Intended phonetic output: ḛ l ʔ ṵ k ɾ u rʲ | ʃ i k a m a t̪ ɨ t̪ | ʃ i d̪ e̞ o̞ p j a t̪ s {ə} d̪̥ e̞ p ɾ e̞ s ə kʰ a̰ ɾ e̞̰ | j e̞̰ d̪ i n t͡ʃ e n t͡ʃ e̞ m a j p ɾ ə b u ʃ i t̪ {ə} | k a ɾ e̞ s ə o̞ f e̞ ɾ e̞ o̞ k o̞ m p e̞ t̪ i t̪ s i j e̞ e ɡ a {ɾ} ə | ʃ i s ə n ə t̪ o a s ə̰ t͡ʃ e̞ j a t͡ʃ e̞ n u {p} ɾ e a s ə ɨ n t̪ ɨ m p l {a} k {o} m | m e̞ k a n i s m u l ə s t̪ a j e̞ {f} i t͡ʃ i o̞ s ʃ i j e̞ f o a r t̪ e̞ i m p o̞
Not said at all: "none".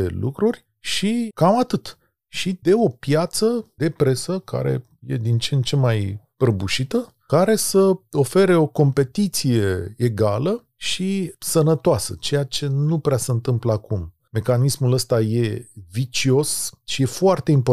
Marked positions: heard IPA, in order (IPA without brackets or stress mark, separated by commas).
ə, ə, l, p, a, u, v